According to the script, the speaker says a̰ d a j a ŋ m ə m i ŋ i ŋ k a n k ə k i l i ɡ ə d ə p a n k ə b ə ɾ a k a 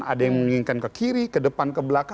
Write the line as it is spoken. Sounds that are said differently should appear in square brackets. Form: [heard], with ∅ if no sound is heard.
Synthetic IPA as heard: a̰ d a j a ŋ m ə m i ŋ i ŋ k a n k ə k i [ɾ] i [k] ə d ə p a n k ə b ə [l] a k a